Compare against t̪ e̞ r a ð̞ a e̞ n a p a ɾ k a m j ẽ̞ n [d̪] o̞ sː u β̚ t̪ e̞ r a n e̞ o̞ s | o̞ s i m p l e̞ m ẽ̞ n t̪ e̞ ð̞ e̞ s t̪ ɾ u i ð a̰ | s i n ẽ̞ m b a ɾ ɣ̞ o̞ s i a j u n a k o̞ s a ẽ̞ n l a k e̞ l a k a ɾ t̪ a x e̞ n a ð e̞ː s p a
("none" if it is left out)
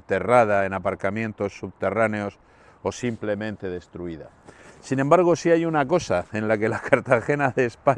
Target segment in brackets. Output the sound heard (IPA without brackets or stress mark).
t̪